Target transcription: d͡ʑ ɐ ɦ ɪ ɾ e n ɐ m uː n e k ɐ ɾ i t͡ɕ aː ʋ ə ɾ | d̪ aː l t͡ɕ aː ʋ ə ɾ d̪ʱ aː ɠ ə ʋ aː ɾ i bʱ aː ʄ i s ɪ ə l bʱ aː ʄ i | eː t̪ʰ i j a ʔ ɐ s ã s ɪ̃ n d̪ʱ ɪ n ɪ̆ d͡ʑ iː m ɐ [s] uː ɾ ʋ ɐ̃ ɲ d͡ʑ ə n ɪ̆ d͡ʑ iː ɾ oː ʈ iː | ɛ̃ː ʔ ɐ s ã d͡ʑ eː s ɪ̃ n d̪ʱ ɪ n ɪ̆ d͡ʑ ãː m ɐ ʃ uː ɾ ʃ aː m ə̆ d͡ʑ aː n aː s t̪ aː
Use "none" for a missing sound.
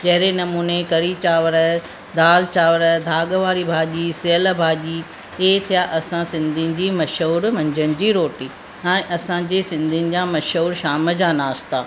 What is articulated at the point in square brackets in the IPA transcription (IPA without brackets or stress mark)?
ʃ